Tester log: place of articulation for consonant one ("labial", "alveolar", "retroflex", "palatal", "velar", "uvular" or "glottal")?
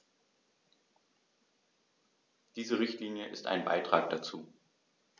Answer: alveolar